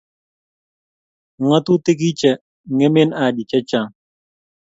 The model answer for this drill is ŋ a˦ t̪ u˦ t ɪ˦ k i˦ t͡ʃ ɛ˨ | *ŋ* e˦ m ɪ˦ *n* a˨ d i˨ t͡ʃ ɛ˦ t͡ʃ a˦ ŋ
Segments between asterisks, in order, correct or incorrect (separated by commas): correct, correct